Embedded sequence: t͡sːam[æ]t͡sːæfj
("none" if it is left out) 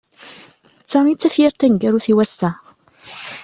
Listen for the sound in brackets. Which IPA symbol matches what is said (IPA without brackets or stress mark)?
i